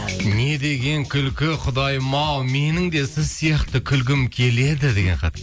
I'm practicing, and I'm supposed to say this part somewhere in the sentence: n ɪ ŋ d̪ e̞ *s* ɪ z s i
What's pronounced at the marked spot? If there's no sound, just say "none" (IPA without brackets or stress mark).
s